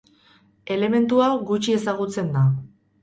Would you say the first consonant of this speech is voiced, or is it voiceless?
voiced